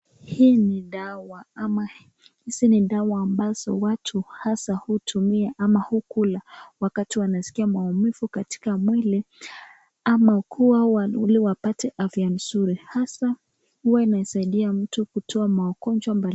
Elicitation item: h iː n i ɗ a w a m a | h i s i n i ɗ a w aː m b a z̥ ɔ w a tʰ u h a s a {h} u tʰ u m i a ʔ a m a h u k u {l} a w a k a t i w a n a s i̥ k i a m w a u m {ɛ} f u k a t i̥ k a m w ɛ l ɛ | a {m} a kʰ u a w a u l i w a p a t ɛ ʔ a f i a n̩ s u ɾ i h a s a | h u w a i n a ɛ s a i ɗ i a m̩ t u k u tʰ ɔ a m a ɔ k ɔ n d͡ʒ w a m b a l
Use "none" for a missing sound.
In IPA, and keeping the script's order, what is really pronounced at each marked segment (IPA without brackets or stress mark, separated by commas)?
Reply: h, l, i, m